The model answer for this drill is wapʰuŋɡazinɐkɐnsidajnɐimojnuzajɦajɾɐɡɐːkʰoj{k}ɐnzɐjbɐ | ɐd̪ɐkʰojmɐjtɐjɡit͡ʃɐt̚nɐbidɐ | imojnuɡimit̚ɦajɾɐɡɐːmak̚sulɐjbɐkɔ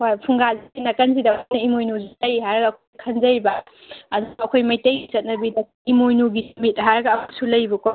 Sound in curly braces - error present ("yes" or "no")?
yes